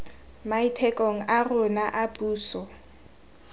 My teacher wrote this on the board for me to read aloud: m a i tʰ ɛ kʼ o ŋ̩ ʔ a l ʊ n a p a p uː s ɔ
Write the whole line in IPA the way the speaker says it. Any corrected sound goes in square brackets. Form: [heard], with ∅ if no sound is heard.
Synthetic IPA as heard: m a i tʰ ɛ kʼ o ŋ̩ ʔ a [r] ʊ n a [ʔ] a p uː s ɔ

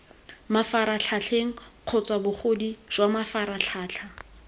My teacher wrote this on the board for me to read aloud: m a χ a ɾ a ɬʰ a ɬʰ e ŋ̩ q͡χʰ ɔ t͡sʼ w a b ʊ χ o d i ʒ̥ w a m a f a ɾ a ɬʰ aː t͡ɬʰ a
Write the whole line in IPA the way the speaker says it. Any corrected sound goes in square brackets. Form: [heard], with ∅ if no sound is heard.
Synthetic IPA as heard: m a [f] a ɾ a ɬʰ a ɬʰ e ŋ̩ q͡χʰ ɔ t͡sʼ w a b ʊ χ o d i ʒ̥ w a m a f a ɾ a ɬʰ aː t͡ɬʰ a

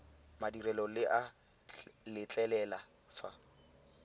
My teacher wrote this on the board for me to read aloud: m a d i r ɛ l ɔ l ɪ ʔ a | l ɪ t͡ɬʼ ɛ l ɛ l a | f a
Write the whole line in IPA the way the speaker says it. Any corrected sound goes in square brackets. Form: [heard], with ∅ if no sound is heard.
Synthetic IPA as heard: m a d i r ɛ l ɔ l ɪ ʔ a | l ɪ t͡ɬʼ ɛ l ɛ l a | f a

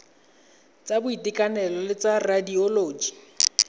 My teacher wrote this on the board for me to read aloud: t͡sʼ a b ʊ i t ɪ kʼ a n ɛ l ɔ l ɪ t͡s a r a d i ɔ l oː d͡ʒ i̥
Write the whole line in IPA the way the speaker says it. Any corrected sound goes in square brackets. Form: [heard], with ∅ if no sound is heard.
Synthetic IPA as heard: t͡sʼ a b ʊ i t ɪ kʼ a n ɛ l ɔ l ɪ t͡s a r a d i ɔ l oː d͡ʒ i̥

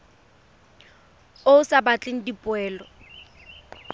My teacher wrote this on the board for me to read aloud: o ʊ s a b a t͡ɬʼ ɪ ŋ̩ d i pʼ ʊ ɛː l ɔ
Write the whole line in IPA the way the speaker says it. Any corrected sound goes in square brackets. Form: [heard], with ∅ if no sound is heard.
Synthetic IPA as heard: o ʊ s a b a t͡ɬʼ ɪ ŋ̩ d i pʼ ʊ ɛː l ɔ

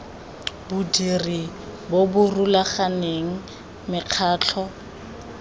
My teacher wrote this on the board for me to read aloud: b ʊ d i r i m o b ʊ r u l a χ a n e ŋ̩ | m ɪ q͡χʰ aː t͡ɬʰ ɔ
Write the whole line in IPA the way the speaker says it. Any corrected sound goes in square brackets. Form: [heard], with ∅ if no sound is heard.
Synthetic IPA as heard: b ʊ d i r i [b] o b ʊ r u l a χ a n e ŋ̩ | m ɪ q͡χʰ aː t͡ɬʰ ɔ

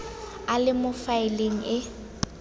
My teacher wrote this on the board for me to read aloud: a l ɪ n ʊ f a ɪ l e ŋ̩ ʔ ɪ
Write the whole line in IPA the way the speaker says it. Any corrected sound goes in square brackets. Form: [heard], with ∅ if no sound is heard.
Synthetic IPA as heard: a l ɪ [m] ʊ f a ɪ l e ŋ̩ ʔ ɪ

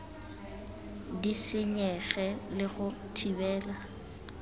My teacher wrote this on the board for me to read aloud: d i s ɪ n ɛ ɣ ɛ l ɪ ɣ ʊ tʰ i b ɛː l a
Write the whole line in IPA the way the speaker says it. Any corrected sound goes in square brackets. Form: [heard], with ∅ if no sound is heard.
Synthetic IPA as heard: d i s ɪ [ɲ] ɛ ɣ ɛ l ɪ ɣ ʊ tʰ i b ɛː l a

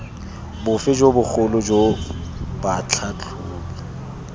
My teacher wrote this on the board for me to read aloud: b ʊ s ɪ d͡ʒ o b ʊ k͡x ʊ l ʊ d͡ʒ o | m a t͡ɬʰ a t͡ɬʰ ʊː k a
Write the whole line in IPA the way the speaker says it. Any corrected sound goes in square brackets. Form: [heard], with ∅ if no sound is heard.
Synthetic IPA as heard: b ʊ [f] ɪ d͡ʒ o b ʊ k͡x ʊ l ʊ d͡ʒ o | [b] a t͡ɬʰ a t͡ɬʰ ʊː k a

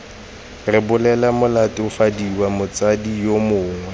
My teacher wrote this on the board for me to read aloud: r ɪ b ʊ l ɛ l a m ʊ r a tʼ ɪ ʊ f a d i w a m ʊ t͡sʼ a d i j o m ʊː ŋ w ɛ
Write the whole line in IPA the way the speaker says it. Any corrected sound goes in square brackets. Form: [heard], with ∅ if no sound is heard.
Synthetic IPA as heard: r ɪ b ʊ l ɛ l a m ʊ [l] a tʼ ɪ ʊ f a d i w a m ʊ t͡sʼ a d i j o m ʊː ŋ w ɛ

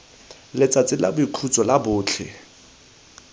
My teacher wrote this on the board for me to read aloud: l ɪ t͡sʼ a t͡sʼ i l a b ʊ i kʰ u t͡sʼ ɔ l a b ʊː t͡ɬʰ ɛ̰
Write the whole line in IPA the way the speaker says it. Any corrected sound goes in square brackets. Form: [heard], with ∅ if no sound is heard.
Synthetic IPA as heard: l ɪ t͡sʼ a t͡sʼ [ɪ] l a b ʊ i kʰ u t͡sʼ ɔ l a b ʊː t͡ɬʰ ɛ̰

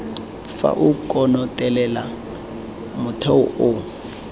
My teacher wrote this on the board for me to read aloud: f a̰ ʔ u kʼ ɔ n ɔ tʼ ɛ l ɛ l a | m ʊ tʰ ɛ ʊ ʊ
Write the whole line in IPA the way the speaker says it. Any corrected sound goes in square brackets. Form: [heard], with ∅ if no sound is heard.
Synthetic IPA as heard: f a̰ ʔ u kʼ ɔ n ɔ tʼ ɛ l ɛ l a | m ʊ tʰ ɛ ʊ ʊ

